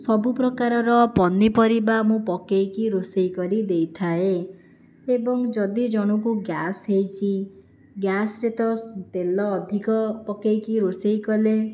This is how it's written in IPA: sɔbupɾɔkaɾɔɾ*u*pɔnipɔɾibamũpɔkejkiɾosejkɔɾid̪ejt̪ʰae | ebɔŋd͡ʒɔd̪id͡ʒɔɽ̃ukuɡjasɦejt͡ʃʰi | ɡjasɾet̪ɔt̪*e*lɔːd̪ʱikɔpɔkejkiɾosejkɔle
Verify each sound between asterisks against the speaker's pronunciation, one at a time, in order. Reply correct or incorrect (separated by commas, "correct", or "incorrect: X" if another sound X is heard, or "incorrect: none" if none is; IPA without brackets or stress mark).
incorrect: ɔ, correct